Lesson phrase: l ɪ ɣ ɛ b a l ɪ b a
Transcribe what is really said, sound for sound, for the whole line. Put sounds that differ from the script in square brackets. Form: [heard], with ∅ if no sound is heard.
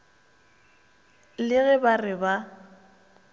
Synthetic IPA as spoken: l ɪ ɣ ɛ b a [r] ɪ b a